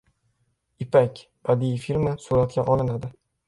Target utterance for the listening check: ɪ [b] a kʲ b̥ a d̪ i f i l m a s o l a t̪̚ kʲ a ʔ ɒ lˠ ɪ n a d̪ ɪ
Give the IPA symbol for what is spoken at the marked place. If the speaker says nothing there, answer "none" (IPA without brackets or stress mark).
p